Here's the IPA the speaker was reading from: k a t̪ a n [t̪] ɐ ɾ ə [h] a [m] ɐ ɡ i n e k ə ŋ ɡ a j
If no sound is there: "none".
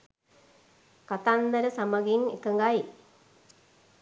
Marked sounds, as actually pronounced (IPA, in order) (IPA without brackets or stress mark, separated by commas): d̪, s, m